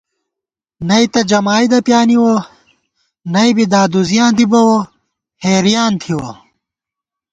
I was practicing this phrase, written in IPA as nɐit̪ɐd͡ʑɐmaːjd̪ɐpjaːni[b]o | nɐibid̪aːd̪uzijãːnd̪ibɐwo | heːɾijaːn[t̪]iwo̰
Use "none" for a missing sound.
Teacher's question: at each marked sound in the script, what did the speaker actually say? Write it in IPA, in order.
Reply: w, t̪ʰ

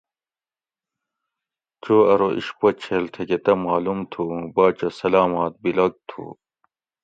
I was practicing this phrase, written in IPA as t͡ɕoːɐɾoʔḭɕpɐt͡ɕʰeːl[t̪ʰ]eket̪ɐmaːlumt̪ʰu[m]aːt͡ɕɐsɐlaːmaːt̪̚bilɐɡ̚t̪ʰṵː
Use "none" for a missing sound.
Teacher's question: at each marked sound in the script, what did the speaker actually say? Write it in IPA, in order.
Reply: t̪ʰ, b

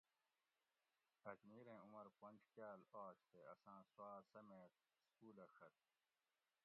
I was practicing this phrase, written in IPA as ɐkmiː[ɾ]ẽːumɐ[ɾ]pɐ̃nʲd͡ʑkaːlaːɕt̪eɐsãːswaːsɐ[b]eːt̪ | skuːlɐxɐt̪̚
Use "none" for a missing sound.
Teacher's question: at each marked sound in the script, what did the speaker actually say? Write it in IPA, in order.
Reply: ɾ, ɾ, m

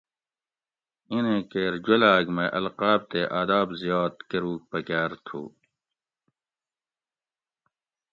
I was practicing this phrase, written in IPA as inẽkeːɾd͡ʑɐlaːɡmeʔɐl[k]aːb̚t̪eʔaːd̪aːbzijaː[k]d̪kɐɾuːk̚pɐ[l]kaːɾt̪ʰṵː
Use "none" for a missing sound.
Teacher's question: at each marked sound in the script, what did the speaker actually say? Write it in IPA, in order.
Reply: q, none, none

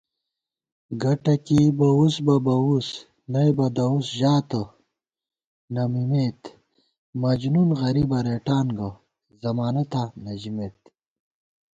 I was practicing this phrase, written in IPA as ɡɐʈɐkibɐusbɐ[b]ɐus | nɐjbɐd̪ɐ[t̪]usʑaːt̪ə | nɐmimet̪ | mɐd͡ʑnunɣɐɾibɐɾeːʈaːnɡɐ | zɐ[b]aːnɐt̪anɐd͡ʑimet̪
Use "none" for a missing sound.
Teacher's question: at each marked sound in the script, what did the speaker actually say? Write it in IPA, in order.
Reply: b, none, m

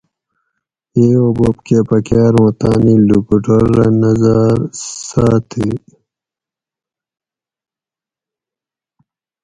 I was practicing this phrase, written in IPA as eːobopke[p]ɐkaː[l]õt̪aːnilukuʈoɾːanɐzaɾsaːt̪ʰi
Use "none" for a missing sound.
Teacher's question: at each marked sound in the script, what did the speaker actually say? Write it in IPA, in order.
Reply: p, ɾ

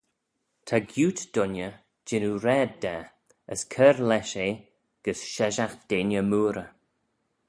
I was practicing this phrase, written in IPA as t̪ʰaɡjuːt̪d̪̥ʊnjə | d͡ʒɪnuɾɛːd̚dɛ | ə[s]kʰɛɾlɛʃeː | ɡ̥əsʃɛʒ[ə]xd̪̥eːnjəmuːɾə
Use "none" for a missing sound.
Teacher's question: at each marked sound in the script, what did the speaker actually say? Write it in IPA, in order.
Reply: s, a

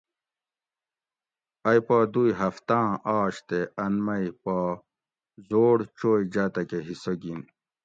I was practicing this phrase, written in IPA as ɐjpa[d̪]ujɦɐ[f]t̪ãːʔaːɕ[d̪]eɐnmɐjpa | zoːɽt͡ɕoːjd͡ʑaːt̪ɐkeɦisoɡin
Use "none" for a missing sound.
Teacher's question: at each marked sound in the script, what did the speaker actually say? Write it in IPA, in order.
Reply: d̪, f, t̪

